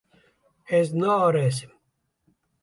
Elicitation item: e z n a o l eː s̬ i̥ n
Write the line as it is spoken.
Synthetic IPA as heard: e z n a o ɾ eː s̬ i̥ m